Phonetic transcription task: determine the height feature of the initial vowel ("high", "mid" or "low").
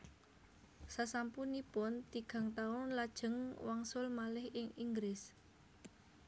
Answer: low